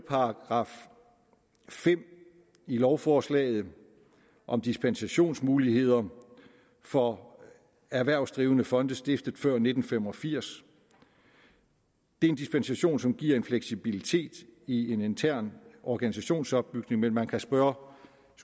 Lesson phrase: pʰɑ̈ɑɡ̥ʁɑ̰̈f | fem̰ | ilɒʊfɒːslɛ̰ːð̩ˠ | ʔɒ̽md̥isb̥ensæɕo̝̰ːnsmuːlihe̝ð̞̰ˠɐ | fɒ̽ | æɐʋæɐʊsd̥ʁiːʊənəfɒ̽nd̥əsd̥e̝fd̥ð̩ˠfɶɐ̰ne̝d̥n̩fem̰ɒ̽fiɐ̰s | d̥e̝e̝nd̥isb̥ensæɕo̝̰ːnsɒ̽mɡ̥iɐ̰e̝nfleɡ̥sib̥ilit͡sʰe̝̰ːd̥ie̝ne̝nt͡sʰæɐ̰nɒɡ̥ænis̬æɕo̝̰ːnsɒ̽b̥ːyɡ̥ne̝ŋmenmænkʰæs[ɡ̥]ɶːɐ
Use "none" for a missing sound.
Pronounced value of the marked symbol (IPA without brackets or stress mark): b̥